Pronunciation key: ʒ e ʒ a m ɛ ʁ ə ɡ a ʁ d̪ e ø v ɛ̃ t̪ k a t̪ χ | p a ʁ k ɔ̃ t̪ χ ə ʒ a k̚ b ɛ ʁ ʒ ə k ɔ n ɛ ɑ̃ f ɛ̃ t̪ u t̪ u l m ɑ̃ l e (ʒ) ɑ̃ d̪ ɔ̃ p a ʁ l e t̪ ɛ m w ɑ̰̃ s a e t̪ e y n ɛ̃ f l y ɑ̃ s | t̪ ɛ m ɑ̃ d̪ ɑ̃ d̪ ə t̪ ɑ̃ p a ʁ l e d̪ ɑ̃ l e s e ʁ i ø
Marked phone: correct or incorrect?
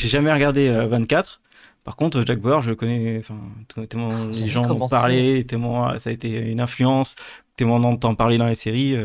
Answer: correct